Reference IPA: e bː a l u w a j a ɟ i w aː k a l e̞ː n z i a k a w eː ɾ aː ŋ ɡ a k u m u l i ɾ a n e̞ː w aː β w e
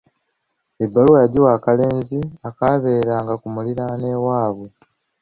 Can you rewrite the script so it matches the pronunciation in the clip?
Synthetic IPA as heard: e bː a l u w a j a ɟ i w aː k a l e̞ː n z i a k a β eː ɾ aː ŋ ɡ a k u m u l i ɾ a n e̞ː w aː β w e